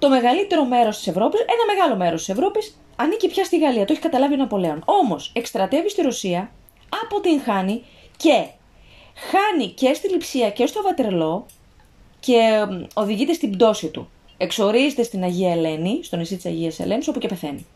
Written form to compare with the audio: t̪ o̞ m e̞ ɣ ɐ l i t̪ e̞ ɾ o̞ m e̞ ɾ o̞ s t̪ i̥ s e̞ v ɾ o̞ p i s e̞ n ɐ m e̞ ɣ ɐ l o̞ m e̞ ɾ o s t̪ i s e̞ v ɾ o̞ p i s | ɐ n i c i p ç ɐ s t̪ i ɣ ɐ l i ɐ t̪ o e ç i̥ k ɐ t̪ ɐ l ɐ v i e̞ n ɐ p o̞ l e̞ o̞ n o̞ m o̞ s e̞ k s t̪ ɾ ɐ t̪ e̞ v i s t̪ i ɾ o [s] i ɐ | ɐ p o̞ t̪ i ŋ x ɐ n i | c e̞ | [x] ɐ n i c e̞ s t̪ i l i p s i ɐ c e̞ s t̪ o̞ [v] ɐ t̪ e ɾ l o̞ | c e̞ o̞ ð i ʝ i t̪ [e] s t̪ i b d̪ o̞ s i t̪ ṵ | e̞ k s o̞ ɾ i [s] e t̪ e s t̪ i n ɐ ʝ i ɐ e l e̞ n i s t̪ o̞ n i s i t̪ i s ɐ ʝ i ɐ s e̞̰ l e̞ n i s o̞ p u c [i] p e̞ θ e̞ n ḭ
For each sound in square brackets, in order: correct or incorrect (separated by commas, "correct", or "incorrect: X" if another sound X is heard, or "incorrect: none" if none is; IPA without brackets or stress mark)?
correct, correct, correct, correct, incorrect: z, incorrect: e